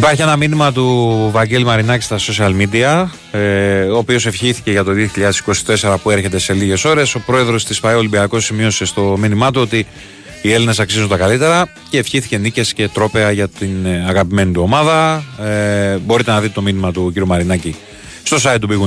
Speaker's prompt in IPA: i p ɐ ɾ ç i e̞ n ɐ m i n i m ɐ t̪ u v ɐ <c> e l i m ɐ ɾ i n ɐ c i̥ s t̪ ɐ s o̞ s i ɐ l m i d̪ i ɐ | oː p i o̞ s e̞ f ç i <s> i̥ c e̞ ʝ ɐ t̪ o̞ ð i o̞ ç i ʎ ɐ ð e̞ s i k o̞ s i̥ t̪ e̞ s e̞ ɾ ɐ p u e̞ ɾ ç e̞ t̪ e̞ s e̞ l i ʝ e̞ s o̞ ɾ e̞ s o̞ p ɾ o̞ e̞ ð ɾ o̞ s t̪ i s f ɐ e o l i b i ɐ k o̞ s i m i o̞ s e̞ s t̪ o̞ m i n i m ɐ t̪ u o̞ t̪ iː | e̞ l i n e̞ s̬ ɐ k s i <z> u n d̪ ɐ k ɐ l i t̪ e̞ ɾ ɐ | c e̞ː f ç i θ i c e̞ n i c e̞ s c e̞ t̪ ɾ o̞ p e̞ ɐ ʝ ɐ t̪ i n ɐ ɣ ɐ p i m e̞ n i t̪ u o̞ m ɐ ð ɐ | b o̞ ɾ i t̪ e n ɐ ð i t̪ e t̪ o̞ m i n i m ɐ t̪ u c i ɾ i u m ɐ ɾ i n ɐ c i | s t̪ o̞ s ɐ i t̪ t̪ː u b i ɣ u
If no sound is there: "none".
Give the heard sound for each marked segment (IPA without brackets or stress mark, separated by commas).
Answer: ɟ, θ, z